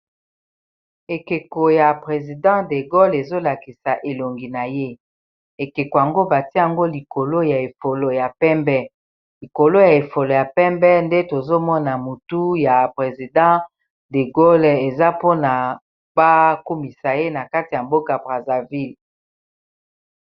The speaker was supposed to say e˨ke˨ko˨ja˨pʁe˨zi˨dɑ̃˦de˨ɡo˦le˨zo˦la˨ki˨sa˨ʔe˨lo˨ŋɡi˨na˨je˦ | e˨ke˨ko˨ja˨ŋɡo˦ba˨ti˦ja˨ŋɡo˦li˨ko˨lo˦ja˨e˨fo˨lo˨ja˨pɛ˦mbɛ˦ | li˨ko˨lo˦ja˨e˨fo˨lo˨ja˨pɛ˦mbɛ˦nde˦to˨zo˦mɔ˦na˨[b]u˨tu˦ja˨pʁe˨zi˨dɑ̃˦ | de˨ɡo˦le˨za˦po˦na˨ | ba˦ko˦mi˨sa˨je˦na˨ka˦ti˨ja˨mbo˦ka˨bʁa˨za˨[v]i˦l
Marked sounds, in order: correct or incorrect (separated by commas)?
incorrect, correct